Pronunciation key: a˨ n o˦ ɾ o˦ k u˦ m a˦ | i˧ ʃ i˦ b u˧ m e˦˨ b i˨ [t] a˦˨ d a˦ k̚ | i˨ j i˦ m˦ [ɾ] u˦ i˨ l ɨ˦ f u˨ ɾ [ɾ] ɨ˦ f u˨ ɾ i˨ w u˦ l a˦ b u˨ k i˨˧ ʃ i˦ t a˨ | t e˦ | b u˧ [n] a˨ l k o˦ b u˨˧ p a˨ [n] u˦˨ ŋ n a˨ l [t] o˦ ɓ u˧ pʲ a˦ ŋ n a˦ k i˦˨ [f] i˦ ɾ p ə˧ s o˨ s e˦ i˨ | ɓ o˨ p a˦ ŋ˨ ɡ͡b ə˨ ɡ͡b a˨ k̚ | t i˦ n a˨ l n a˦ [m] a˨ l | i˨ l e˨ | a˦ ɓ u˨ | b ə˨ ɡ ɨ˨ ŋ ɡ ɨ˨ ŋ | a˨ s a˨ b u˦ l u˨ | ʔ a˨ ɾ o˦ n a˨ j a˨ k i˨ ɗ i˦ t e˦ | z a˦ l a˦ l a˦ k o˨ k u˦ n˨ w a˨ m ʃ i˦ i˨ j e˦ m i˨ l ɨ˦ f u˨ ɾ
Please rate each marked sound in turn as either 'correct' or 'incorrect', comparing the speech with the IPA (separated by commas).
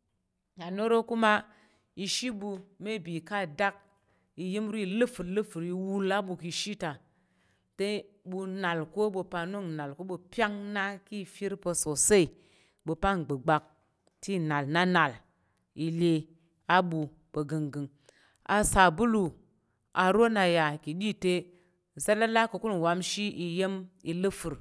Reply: incorrect, correct, incorrect, correct, correct, incorrect, correct, incorrect